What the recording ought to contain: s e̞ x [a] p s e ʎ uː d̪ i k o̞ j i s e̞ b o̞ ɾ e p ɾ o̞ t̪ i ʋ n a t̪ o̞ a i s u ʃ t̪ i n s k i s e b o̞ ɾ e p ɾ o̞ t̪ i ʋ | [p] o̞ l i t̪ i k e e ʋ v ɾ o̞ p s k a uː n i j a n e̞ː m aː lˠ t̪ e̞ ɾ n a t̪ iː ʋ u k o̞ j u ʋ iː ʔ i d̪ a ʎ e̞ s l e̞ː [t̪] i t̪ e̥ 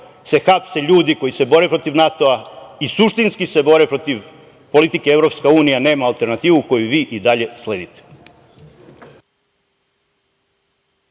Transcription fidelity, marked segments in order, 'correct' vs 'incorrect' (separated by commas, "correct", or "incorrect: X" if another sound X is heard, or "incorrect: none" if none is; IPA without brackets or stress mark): correct, correct, incorrect: d̪